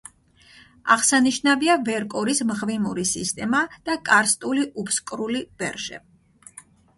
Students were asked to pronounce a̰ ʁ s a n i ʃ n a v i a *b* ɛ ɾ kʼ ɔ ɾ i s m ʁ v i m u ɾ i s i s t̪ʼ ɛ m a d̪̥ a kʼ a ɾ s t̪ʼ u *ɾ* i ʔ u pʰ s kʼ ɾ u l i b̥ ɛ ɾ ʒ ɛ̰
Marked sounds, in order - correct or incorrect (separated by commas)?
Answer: incorrect, incorrect